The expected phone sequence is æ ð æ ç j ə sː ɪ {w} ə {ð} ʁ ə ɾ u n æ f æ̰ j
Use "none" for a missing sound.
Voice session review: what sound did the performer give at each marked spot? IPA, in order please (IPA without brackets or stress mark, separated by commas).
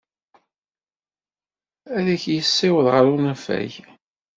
w, ð